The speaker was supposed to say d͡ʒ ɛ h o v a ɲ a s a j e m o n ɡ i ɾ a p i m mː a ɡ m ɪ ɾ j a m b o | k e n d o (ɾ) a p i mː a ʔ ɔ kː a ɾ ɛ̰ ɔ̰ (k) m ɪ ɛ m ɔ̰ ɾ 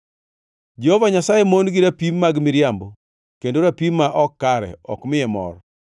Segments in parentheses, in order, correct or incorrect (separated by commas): correct, correct